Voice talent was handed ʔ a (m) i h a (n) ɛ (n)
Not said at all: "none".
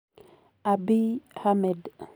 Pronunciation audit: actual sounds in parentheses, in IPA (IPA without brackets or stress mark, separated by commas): b, m, d